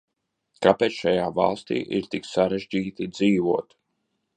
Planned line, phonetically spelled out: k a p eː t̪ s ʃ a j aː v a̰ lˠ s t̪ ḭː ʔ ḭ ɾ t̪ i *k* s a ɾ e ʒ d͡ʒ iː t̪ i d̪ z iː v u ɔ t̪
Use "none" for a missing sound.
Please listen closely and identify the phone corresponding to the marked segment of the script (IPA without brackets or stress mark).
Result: k